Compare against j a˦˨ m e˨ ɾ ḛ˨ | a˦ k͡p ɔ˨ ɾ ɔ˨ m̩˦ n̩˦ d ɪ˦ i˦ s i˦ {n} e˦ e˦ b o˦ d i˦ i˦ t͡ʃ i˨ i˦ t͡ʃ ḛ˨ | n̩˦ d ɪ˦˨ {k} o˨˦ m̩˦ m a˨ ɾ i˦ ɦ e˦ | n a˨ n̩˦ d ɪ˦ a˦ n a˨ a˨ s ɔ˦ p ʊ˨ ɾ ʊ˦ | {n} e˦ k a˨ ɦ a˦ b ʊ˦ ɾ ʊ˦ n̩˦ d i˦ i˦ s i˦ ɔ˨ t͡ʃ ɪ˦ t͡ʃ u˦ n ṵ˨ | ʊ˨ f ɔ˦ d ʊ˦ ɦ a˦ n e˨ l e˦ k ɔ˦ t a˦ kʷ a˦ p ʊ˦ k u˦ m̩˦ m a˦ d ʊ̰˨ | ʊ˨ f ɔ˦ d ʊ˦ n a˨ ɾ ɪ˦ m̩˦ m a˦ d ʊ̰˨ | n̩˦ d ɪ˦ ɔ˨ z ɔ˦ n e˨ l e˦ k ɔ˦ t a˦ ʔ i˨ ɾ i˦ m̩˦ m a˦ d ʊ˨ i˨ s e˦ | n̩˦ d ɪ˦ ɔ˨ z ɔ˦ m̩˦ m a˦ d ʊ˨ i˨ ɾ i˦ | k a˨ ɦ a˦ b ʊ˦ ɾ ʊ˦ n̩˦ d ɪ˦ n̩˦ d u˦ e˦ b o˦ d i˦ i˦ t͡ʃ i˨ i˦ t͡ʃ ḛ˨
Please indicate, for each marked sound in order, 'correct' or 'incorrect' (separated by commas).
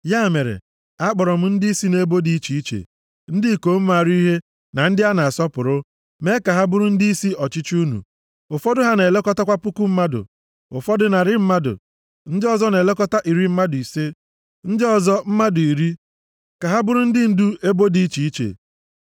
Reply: correct, correct, incorrect